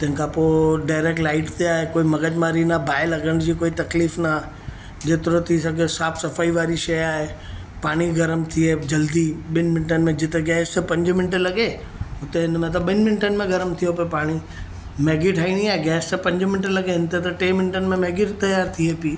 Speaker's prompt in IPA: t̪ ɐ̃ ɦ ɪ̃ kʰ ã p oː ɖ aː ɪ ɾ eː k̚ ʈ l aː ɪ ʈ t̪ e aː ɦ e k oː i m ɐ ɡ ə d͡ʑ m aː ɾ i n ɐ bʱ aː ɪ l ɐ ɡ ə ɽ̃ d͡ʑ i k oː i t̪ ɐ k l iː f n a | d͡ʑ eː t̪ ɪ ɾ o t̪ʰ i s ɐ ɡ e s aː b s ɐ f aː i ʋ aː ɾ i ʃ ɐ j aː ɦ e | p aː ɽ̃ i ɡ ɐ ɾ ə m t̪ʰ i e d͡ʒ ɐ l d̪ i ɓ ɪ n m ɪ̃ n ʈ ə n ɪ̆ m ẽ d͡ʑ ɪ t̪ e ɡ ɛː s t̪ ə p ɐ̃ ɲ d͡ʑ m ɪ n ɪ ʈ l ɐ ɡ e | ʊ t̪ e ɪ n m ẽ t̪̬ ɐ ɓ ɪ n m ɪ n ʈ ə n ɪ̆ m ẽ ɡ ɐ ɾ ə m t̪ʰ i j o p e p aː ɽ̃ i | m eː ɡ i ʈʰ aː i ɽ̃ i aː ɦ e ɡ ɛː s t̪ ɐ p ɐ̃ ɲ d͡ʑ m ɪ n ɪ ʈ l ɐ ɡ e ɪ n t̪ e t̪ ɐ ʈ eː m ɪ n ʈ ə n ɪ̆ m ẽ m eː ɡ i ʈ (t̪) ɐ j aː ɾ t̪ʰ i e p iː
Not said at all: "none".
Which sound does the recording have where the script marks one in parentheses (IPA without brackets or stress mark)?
t̪